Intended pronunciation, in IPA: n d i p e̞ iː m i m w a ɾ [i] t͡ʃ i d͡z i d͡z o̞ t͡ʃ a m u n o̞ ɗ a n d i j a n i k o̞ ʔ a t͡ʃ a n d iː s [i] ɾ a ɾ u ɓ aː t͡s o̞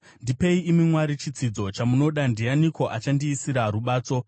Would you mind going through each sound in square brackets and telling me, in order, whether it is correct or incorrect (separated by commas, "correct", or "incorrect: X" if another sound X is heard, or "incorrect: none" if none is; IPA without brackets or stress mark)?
correct, correct